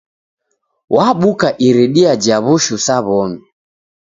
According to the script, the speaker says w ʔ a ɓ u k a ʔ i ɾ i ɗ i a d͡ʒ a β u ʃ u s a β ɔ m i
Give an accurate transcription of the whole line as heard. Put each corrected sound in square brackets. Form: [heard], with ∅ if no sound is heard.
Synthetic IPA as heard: w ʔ a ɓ u k a ʔ i ɾ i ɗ i a d͡ʒ a β u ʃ u s a β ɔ m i